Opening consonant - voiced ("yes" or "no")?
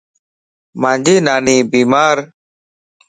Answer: yes